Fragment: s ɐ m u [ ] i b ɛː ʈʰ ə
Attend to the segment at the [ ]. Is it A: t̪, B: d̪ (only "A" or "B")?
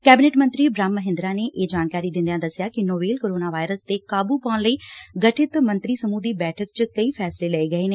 B